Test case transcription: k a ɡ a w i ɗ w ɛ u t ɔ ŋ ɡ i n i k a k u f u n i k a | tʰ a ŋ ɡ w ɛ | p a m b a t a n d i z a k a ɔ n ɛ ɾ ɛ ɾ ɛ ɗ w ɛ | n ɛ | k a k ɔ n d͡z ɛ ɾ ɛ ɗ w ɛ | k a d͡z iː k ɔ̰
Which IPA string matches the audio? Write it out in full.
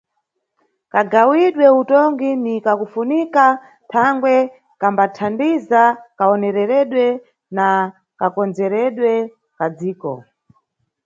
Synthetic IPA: k a ɡ a w i ɗ w ɛ u t ɔ ŋ ɡ i n i k a k u f u n i k a | tʰ a ŋ ɡ w ɛ | k a m b a tʰ a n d i z a k a ɔ n ɛ ɾ ɛ ɾ ɛ ɗ w ɛ | n a | k a k ɔ n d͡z ɛ ɾ ɛ ɗ w ɛ | k a d͡z iː k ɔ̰